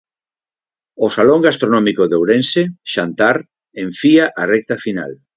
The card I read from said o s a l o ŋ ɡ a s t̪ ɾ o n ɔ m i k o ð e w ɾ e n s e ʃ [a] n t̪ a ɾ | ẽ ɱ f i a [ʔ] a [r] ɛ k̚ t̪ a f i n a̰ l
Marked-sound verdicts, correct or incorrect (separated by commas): correct, correct, correct